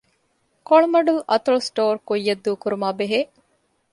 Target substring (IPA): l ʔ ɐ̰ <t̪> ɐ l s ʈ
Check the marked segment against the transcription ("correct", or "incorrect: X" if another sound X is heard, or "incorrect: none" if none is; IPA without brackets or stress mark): correct